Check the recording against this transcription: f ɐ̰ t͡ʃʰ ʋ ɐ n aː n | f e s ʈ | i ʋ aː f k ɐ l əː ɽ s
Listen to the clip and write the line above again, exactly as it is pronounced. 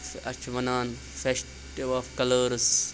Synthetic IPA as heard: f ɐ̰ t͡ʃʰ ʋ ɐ n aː n | f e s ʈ | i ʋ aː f k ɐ l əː ɾ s